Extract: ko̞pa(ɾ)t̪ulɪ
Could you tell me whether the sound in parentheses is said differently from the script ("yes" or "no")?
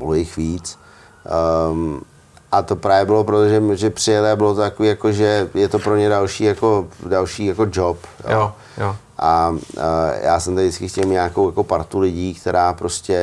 no